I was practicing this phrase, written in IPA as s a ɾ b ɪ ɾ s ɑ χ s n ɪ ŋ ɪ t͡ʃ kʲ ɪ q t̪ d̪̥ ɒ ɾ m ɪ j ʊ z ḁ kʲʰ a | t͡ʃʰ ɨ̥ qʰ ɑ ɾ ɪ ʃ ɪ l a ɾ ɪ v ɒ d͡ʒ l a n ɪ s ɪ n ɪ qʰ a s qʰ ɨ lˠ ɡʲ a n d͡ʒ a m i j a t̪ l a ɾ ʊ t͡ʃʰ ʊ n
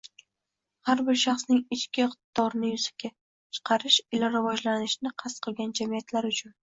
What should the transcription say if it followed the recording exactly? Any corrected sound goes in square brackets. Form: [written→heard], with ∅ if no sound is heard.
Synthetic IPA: [s→h] a ɾ b ɪ ɾ [s→ʃ] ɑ χ s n ɪ ŋ ɪ t͡ʃ kʲ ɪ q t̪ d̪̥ ɒ ɾ [m→n] ɪ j ʊ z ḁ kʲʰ a | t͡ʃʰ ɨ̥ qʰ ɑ ɾ ɪ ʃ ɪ l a ɾ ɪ v ɒ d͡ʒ l a n ɪ [s→ʃ] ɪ n ɪ qʰ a s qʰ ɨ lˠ ɡʲ a n d͡ʒ a m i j a t̪ l a ɾ ʊ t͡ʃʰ ʊ n